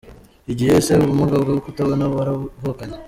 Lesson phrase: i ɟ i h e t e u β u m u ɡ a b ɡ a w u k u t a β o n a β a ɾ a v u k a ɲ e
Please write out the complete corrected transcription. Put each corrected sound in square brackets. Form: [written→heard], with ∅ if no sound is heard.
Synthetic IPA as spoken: i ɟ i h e [t→s] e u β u m u ɡ a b ɡ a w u k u t a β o n a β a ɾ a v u k a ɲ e